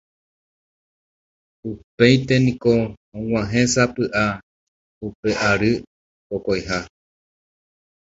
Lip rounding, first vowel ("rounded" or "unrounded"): rounded